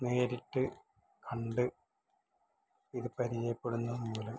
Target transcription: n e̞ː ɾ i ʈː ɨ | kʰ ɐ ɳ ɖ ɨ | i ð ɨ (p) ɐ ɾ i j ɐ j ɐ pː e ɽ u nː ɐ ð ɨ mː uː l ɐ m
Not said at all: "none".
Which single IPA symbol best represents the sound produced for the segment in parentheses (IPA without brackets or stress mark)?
p